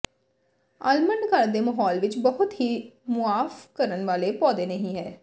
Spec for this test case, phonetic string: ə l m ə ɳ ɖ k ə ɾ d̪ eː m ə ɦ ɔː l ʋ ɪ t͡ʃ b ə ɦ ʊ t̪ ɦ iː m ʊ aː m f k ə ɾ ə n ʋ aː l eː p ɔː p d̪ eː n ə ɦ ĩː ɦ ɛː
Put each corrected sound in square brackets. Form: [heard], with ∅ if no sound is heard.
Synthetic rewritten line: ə l m ə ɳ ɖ k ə ɾ d̪ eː m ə ɦ ɔː l ʋ ɪ t͡ʃ b ə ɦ ʊ t̪ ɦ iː m ʊ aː [∅] f k ə ɾ ə n ʋ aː l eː p ɔː [∅] d̪ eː n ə ɦ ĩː ɦ ɛː